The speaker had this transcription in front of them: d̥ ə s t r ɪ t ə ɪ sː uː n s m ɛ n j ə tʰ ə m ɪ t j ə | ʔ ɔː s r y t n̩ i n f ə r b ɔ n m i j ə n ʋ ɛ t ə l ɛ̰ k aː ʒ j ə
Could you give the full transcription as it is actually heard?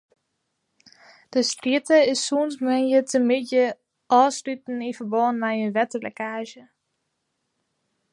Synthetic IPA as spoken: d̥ ə s t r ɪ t ə ɪ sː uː n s m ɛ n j ə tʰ ə m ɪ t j ə | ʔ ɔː s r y t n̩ i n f ə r b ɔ n m ɛ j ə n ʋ ɛ t ə l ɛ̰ k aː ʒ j ə